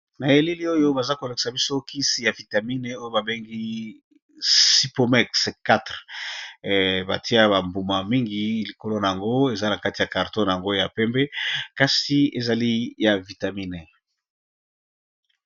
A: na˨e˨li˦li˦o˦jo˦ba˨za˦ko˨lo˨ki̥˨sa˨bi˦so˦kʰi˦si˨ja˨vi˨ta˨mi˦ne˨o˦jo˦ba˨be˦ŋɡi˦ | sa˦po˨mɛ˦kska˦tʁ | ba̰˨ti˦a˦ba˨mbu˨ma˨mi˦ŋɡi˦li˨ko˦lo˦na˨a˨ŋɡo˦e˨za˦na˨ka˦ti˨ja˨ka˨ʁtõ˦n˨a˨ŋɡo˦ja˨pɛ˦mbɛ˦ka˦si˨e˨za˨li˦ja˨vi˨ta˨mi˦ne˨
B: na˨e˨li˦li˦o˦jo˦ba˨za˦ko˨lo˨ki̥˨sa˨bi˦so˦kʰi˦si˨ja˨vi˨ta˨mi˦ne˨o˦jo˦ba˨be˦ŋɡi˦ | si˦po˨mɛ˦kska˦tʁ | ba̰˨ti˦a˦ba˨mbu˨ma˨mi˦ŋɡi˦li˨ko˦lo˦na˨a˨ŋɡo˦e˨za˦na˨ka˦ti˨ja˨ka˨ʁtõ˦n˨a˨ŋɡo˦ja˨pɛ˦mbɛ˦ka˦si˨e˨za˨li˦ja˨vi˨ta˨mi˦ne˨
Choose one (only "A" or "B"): B